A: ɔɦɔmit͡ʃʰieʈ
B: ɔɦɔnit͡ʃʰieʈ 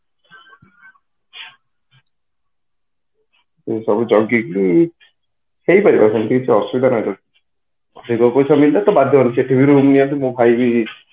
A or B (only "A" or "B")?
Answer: B